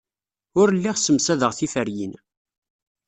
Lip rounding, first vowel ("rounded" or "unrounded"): rounded